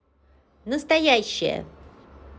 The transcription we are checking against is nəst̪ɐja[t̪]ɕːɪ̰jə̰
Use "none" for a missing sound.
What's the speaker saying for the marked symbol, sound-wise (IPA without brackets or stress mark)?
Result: none